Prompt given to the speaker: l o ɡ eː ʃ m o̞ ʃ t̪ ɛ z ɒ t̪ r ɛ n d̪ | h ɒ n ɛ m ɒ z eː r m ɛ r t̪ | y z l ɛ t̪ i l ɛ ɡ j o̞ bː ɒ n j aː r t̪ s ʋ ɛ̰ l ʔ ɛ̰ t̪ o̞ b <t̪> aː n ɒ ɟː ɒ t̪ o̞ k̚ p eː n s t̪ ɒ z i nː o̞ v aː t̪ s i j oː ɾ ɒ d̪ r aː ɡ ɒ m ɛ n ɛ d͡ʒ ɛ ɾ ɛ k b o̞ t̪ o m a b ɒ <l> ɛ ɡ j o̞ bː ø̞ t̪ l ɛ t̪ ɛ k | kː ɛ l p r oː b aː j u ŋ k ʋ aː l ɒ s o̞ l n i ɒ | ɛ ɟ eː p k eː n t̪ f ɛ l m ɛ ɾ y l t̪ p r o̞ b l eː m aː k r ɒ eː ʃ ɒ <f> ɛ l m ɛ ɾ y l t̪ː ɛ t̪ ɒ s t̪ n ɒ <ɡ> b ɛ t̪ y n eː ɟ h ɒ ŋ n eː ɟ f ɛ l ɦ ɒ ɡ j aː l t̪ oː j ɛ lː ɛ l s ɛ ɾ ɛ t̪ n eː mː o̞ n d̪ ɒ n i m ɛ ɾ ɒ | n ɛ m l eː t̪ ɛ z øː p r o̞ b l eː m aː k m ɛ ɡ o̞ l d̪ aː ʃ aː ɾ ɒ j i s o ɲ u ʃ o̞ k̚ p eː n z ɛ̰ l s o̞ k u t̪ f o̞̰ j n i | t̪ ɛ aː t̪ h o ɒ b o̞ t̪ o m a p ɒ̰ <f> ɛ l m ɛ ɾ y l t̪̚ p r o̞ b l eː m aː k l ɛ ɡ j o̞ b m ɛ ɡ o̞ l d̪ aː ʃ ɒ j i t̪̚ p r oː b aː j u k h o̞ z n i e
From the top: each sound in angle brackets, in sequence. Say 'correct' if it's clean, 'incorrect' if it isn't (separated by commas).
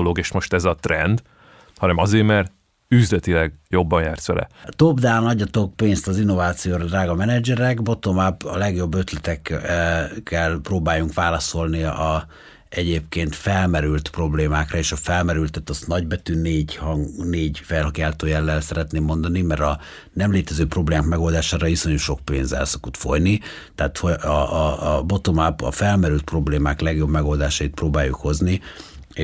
incorrect, correct, correct, incorrect, correct